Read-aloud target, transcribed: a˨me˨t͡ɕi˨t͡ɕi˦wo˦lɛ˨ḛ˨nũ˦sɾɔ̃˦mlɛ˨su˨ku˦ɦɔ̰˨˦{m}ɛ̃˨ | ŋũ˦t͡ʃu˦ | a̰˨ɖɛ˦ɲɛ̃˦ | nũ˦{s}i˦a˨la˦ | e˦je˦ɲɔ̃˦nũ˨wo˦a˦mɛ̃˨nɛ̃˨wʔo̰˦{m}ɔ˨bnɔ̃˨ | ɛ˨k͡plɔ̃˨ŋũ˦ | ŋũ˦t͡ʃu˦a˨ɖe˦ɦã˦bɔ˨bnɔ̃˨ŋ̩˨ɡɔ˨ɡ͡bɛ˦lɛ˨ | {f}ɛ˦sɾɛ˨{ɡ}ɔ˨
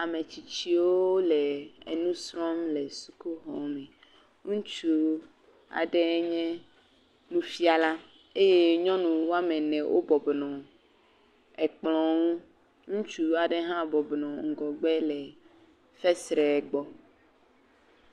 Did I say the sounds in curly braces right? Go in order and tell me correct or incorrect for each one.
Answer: correct, incorrect: f, incorrect: b, correct, incorrect: ɡ͡b

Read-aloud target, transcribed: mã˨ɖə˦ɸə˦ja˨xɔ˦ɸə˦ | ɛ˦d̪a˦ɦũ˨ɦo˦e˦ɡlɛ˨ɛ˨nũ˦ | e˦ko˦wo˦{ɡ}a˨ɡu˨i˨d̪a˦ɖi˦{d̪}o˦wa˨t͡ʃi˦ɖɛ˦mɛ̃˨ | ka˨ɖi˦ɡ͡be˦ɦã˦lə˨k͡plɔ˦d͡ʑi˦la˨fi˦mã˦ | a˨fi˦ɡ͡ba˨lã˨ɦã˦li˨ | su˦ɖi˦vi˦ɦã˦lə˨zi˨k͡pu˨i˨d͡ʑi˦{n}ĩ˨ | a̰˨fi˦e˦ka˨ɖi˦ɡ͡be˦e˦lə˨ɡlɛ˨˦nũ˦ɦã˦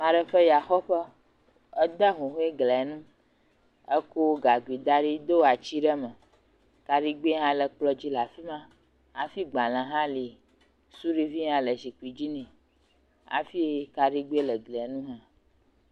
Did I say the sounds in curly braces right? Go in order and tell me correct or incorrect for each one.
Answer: correct, correct, correct

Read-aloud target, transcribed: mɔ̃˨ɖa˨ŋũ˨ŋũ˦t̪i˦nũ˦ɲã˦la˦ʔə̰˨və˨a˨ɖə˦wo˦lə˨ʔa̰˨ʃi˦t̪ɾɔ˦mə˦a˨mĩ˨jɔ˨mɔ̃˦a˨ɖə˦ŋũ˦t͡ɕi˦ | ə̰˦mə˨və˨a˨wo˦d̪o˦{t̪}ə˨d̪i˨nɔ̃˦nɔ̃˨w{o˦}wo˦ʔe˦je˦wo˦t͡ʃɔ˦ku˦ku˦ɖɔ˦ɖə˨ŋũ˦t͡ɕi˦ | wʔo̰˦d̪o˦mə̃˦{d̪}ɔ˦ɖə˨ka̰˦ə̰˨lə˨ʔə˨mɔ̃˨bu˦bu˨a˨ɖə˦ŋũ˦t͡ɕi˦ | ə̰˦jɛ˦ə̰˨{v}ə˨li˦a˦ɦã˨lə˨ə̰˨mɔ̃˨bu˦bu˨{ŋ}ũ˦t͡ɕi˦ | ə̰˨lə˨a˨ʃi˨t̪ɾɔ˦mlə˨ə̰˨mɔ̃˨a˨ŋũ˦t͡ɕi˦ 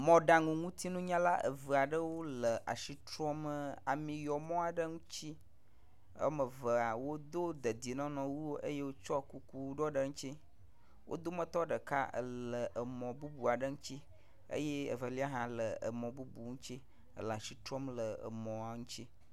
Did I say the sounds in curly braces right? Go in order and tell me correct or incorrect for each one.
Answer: incorrect: d̪, incorrect: u˦, incorrect: t̪, correct, correct

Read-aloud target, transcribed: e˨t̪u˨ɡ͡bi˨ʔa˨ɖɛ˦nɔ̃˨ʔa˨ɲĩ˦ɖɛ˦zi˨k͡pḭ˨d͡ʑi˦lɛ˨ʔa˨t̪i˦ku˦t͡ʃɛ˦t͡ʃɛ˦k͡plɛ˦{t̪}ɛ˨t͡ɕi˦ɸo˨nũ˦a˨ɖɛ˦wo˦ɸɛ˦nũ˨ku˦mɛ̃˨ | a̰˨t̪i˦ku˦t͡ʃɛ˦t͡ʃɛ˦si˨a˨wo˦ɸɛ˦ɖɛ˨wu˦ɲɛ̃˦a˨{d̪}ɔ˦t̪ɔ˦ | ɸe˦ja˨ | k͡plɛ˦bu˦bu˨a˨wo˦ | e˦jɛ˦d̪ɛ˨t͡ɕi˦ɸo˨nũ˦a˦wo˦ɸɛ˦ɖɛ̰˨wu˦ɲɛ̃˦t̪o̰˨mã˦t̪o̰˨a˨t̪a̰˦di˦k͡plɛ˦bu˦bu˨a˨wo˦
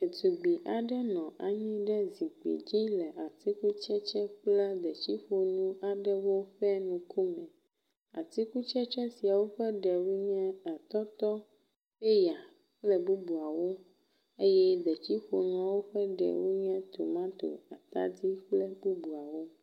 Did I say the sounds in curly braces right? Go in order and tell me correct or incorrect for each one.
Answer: incorrect: d̪, incorrect: t̪

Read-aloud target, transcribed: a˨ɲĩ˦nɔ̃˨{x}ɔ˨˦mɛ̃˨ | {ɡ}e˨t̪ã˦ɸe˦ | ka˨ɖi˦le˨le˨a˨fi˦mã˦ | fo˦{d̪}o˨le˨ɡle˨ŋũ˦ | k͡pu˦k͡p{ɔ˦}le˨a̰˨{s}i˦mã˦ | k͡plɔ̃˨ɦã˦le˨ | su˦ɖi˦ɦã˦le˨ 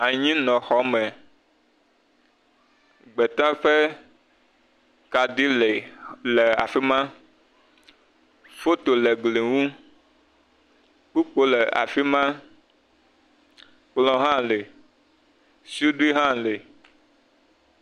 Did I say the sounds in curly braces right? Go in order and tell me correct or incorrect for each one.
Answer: correct, incorrect: ɡ͡b, incorrect: t̪, incorrect: o˦, incorrect: f

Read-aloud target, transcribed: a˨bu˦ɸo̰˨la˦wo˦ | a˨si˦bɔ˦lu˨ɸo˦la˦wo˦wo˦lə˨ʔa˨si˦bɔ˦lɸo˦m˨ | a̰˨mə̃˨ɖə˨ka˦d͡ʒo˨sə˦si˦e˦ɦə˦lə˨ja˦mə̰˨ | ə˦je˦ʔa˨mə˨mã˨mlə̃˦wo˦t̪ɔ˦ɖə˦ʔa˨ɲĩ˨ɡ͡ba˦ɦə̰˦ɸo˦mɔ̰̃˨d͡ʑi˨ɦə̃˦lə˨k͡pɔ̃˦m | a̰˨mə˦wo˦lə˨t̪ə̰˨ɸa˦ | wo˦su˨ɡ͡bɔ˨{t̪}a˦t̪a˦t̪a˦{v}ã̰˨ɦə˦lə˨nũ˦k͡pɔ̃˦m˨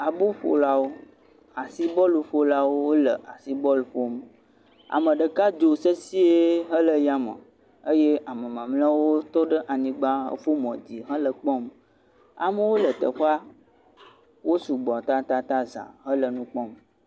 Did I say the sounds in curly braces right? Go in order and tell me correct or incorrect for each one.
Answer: correct, incorrect: z

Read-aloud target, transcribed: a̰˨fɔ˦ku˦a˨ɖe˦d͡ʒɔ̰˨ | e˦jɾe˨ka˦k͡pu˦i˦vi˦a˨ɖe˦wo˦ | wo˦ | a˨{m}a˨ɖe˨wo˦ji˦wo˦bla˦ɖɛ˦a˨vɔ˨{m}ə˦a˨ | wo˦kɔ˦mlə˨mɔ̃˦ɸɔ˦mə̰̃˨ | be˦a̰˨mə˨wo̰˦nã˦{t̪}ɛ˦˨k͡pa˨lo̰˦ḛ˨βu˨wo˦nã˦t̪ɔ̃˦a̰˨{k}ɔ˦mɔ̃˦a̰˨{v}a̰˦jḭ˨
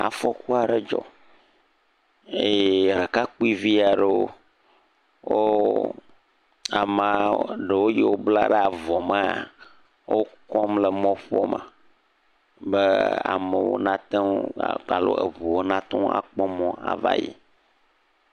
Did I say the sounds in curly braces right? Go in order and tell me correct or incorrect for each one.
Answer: correct, correct, correct, incorrect: k͡p, correct

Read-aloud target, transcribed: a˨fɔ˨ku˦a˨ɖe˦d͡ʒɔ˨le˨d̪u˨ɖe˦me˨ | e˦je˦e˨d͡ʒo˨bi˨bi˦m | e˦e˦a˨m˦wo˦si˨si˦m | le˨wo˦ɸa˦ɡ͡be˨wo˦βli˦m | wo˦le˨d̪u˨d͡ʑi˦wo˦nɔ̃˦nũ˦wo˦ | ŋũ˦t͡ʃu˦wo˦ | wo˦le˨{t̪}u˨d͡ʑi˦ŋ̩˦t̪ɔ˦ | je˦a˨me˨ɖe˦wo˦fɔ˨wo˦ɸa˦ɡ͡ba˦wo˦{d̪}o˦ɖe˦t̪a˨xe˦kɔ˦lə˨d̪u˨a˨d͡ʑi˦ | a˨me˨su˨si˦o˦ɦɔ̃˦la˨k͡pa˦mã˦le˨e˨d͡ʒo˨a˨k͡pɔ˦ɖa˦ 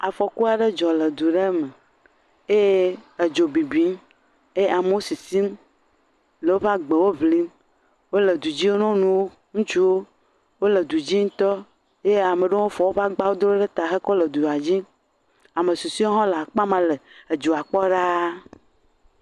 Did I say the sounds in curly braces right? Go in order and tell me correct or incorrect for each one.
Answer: incorrect: d̪, correct

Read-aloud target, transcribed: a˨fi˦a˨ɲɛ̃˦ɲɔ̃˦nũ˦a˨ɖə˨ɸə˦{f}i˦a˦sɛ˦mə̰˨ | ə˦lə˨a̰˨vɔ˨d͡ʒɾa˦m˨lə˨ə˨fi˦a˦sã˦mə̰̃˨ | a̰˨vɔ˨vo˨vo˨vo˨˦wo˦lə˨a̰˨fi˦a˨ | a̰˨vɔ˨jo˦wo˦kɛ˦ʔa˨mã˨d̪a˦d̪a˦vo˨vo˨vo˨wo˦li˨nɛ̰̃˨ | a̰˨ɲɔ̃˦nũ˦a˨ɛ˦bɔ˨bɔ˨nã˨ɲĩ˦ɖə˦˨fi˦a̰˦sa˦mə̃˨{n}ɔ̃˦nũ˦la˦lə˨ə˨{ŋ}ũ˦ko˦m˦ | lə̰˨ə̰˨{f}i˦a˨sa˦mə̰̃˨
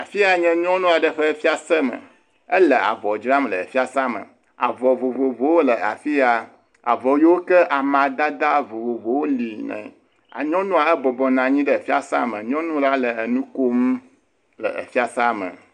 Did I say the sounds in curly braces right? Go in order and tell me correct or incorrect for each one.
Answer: correct, incorrect: ɲ, incorrect: n, correct

